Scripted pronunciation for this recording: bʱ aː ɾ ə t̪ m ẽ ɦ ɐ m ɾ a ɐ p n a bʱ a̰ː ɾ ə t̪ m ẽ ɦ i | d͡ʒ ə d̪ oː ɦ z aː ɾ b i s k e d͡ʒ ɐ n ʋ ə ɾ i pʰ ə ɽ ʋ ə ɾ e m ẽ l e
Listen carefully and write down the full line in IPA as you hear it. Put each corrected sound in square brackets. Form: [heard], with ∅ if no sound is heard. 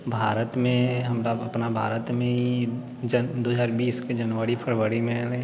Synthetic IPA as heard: bʱ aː ɾ ə t̪ m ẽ ɦ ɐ m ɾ a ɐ p n a bʱ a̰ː ɾ ə t̪ m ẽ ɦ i | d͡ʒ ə d̪ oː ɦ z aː ɾ b [iː] s k e d͡ʒ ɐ n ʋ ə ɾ i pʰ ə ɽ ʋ ə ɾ [i] m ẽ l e

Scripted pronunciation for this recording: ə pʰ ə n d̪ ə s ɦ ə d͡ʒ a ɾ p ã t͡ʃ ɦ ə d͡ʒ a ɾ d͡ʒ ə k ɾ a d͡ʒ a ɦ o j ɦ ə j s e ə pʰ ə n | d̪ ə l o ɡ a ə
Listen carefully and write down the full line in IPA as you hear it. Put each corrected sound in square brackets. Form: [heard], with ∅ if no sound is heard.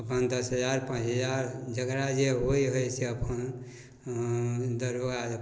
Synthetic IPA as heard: ə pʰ ə n d̪ ə s ɦ ə d͡ʒ a ɾ p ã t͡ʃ ɦ ə d͡ʒ a ɾ d͡ʒ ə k ɾ a d͡ʒ [e] ɦ o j ɦ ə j s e ə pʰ ə n | d̪ ə [ɾ] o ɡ a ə

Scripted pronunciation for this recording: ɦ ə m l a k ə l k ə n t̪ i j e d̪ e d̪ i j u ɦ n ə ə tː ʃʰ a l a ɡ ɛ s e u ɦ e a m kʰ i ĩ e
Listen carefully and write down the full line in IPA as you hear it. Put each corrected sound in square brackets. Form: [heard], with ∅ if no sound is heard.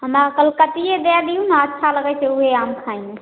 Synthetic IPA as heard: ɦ ə m [ɾ] a k ə l k ə [∅] t̪ i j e d̪ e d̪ i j u [∅] n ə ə tː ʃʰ a l [ə] ɡ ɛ s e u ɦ e a m kʰ [a] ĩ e

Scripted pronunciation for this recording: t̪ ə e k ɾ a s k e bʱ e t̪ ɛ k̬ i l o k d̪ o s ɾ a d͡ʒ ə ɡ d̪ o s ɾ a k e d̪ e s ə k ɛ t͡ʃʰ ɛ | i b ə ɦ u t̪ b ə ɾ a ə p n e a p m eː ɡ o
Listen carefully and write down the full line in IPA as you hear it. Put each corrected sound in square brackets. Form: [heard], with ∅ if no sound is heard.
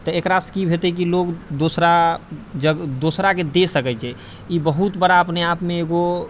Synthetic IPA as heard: t̪ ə e k ɾ a s k [i] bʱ e t̪ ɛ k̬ i l o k d̪ o s ɾ a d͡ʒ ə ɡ d̪ o s ɾ a k e d̪ e s ə k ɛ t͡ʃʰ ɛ | i b ə ɦ u t̪ b ə ɾ a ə p n e a p m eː ɡ o

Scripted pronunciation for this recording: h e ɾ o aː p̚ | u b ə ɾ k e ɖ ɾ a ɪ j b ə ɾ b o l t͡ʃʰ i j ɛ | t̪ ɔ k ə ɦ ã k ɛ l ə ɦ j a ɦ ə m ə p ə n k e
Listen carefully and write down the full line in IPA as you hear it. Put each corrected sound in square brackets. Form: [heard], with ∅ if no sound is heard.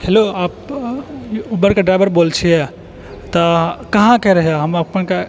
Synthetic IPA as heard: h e [l] o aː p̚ | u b ə ɾ k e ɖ ɾ a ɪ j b ə ɾ b o l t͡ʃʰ i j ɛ | t̪ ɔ k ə ɦ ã k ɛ [ɾ] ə ɦ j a ɦ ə m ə p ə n k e

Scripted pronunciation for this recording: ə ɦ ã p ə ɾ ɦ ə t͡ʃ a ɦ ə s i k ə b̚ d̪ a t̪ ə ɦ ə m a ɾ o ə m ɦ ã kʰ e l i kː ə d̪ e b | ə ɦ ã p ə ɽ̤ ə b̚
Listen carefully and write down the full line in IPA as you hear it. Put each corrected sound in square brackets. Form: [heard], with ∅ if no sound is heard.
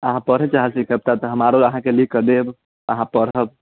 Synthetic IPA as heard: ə ɦ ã p ə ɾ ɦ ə t͡ʃ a ɦ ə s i k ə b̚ [t̪] a t̪ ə ɦ ə m a ɾ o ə [∅] ɦ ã [k] e l i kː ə d̪ e b | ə ɦ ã p ə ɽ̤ ə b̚

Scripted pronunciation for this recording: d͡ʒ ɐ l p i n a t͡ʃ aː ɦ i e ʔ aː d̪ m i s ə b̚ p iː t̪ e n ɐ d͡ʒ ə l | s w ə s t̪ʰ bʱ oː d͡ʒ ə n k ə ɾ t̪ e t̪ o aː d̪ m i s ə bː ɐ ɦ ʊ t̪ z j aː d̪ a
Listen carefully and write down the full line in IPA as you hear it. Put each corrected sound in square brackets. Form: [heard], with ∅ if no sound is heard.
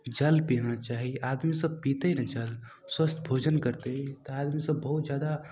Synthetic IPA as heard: d͡ʒ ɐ l p i n a t͡ʃ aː ɦ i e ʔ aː d̪ m i s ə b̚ p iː t̪ e n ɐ d͡ʒ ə l | s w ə s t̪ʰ bʱ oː d͡ʒ ə n k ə ɾ t̪ e t̪ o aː d̪ m i s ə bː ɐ ɦ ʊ t̪ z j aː d̪ a

